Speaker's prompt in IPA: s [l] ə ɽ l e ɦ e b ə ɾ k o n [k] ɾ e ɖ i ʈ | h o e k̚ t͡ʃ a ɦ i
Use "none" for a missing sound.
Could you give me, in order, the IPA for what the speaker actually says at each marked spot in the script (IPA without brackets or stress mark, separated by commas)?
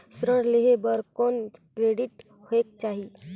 ɾ, k